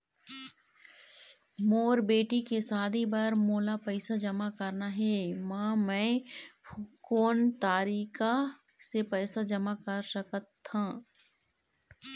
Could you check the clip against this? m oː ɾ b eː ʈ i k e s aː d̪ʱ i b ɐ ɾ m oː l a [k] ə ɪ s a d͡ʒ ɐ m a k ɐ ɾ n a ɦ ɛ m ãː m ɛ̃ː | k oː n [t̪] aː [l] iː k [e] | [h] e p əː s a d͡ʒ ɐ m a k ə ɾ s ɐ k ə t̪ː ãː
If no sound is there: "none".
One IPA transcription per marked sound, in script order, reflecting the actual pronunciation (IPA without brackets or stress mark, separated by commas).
p, t̪, ɾ, a, s